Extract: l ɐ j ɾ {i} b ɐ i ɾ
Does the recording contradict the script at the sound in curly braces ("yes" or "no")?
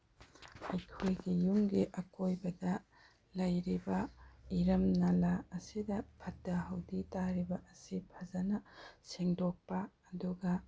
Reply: no